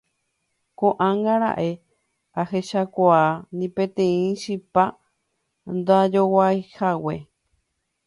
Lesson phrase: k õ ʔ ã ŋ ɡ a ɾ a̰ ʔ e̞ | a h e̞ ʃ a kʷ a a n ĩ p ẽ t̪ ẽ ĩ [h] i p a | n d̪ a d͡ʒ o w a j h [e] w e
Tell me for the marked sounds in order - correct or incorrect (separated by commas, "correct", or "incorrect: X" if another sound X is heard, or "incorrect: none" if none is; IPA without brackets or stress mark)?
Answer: incorrect: ʃ, incorrect: a